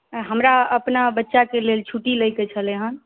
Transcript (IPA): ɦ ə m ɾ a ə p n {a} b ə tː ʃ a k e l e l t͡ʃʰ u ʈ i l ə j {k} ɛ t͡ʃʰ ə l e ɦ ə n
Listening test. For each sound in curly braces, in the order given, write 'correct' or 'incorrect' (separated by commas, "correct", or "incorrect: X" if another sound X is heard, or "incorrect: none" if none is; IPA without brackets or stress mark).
correct, correct